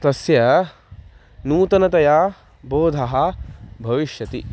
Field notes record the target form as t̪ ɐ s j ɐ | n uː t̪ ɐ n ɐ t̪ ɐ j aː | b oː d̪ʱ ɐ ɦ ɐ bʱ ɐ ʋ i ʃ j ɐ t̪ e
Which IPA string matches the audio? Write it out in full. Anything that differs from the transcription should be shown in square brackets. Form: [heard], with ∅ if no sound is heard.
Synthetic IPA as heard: t̪ ɐ s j ɐ | n uː t̪ ɐ n ɐ t̪ ɐ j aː | b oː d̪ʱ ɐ ɦ ɐ bʱ ɐ ʋ i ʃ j ɐ t̪ [i]